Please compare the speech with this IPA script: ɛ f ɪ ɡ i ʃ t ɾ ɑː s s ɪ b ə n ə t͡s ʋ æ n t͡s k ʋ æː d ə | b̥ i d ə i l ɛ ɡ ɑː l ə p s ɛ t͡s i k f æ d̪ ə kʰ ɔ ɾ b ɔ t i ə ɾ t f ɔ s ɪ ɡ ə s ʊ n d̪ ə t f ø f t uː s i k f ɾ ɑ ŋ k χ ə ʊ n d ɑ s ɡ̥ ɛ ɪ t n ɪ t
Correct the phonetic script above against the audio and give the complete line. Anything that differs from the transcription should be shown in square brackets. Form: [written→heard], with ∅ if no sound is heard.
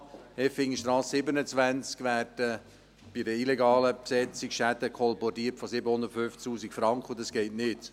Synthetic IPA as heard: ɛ f ɪ [ɡ→ŋ] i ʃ t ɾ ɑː s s ɪ b ə n ə t͡s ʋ æ n t͡s k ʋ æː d ə | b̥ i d ə i l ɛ ɡ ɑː l ə p s ɛ t͡s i k [f→ʃ] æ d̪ ə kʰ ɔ [ɾ→l] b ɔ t i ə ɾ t f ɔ s ɪ [ɡ→b] ə [s→h] ʊ n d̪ ə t f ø f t uː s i k f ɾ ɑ ŋ k χ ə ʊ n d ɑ s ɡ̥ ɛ ɪ t n ɪ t